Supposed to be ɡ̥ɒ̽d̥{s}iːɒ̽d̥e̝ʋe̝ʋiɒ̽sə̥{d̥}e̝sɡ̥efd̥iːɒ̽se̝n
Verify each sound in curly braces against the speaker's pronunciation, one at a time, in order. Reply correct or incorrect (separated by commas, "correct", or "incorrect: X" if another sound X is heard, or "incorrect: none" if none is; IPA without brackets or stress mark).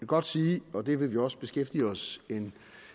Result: correct, incorrect: b̥